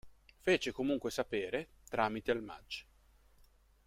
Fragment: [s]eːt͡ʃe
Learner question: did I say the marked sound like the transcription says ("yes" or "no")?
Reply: no